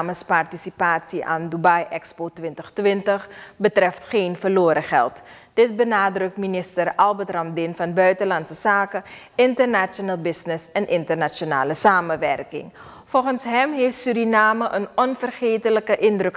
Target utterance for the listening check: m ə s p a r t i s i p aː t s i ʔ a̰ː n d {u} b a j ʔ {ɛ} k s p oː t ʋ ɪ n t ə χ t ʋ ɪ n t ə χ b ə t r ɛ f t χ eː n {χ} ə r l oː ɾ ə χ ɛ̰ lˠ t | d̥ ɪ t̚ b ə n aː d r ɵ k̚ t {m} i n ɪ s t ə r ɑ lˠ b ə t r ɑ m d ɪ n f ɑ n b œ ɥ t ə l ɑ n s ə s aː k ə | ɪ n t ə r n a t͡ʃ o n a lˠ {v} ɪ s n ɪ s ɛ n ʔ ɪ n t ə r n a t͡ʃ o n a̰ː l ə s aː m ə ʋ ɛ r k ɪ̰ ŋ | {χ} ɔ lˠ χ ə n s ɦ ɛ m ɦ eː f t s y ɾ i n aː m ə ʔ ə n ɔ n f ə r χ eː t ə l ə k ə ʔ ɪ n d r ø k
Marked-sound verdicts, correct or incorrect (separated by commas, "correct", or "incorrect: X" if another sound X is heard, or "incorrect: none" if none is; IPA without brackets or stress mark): correct, correct, incorrect: f, correct, incorrect: b, incorrect: f